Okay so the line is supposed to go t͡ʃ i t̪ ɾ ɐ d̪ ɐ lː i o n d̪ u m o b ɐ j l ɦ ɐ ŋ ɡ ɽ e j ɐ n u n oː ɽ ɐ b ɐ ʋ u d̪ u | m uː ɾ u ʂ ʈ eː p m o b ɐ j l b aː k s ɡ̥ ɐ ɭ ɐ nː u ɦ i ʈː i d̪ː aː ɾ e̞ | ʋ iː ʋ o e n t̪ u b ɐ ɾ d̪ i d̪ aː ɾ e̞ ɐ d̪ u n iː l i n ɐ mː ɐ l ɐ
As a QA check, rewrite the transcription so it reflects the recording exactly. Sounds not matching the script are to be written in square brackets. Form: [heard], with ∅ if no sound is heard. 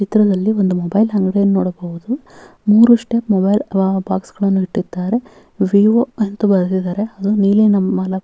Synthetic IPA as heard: t͡ʃ i t̪ ɾ ɐ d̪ ɐ lː i o n d̪ u m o b ɐ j l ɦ ɐ ŋ ɡ ɽ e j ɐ n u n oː ɽ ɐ b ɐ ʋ u d̪ u | m uː ɾ u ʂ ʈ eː p m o b ɐ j l b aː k s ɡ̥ ɐ ɭ ɐ nː u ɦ i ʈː i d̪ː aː ɾ e̞ | ʋ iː ʋ o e n t̪ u b ɐ ɾ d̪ i d̪ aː ɾ e̞ ɐ d̪ u n iː l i n ɐ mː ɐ l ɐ

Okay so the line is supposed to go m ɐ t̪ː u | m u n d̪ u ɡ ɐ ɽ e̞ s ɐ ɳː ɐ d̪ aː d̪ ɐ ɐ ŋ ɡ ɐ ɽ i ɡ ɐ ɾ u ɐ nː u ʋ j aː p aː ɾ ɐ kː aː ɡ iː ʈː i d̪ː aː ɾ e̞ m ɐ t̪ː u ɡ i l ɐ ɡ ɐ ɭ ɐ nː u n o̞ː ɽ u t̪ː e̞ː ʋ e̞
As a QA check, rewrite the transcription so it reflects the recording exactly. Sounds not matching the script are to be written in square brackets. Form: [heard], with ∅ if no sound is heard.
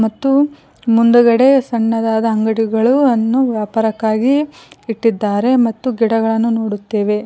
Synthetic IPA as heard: m ɐ t̪ː u | m u n d̪ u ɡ ɐ ɽ e̞ s ɐ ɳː ɐ d̪ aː d̪ ɐ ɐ ŋ ɡ ɐ ɽ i ɡ ɐ [ɭ] u ɐ nː u ʋ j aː p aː ɾ ɐ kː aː ɡ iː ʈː i d̪ː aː ɾ e̞ m ɐ t̪ː u ɡ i [ɽ] ɐ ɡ ɐ ɭ ɐ nː u n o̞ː ɽ u t̪ː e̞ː ʋ e̞

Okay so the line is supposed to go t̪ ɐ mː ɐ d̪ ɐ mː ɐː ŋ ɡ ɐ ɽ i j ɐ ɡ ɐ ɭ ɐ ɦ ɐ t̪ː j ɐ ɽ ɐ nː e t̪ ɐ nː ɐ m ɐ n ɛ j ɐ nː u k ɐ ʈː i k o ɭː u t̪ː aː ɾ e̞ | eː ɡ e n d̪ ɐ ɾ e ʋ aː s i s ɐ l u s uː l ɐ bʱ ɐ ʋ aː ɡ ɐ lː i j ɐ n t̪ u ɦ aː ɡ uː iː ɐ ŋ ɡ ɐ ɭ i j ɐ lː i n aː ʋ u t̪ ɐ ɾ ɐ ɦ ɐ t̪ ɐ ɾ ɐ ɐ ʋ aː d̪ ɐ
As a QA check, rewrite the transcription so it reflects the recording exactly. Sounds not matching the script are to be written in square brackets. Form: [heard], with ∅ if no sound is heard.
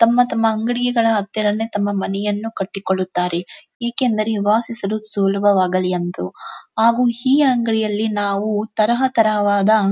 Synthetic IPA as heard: t̪ ɐ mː ɐ [t̪] ɐ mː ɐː ŋ ɡ ɐ ɽ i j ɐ ɡ ɐ ɭ ɐ ɦ ɐ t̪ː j ɐ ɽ ɐ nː e t̪ ɐ [mː] ɐ m ɐ n ɛ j ɐ nː u k ɐ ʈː i k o ɭː u t̪ː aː ɾ e̞ | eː [k] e n d̪ ɐ ɾ e ʋ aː s i s ɐ l u s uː l ɐ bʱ ɐ ʋ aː ɡ ɐ [l] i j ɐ n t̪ u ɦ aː ɡ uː iː ɐ ŋ ɡ ɐ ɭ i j ɐ lː i n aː ʋ u t̪ ɐ ɾ ɐ ɦ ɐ t̪ ɐ ɾ ɐ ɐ ʋ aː d̪ ɐ

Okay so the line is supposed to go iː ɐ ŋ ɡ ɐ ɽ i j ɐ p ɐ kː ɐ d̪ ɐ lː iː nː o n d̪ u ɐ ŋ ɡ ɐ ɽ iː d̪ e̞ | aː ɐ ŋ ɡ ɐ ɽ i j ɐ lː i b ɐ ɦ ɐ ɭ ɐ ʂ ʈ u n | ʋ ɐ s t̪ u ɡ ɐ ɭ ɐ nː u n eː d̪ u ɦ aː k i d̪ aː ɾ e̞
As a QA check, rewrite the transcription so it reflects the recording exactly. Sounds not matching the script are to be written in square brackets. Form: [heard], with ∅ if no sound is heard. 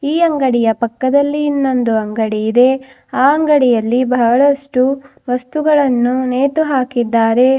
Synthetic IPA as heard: iː ɐ ŋ ɡ ɐ ɽ i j ɐ p ɐ kː ɐ d̪ ɐ lː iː nː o n d̪ u ɐ ŋ ɡ ɐ ɽ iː d̪ e̞ | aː ɐ ŋ ɡ ɐ ɽ i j ɐ lː i b ɐ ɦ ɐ ɭ ɐ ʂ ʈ u [∅] | ʋ ɐ s t̪ u ɡ ɐ ɭ ɐ nː u n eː [t̪] u ɦ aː k i [d̪ː] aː ɾ e̞

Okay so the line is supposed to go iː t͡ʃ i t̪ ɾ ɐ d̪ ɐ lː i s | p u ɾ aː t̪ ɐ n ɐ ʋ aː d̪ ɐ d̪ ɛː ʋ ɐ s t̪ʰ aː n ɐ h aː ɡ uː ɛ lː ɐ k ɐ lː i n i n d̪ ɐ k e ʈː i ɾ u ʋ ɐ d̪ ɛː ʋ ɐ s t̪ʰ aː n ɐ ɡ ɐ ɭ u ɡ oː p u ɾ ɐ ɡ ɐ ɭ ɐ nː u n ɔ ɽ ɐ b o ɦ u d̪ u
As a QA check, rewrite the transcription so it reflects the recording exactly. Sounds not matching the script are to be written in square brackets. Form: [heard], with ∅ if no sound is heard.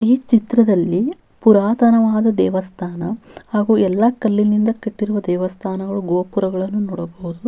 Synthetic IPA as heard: iː t͡ʃ i t̪ ɾ ɐ d̪ ɐ lː i [∅] | p u ɾ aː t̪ ɐ n ɐ ʋ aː d̪ ɐ d̪ ɛː ʋ ɐ s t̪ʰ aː n ɐ h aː ɡ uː ɛ lː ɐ k ɐ lː i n i n d̪ ɐ k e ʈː i ɾ u ʋ ɐ d̪ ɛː ʋ ɐ s t̪ʰ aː n ɐ ɡ ɐ ɭ u ɡ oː p u ɾ ɐ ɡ ɐ ɭ ɐ nː u n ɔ ɽ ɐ b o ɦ u d̪ u

